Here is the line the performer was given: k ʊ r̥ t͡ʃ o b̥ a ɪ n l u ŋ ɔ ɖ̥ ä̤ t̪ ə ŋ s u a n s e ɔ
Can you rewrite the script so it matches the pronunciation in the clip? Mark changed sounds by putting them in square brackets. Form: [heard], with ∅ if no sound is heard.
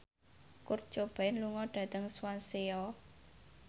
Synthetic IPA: k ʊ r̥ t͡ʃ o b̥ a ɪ n l u ŋ ɔ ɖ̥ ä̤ t̪ ə ŋ s [w] a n s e ɔ